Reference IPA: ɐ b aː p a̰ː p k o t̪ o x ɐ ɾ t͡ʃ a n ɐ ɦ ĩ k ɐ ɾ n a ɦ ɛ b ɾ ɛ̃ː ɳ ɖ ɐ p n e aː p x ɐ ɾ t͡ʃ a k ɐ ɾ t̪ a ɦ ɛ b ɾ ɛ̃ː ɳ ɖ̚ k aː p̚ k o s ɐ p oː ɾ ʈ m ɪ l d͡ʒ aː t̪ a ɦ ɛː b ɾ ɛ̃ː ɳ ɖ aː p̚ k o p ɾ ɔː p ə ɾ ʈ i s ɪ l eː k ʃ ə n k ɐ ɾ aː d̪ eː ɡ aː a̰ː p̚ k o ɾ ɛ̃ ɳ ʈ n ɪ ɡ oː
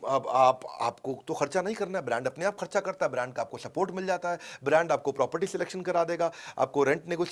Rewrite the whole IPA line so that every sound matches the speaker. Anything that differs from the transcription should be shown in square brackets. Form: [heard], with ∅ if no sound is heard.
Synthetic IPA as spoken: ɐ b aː p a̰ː p k o t̪ o x ɐ ɾ t͡ʃ a n ɐ ɦ ĩ k ɐ ɾ n a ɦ ɛ b ɾ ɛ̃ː ɳ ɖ ɐ p n e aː p x ɐ ɾ t͡ʃ a k ɐ ɾ t̪ a ɦ ɛ b ɾ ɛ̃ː ɳ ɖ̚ k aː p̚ k o s ɐ p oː ɾ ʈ m ɪ l d͡ʒ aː t̪ a ɦ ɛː b ɾ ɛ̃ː ɳ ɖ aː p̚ k o p ɾ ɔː p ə ɾ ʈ i s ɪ l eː k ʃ ə n k ɐ ɾ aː d̪ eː ɡ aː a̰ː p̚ k o ɾ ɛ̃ ɳ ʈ n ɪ ɡ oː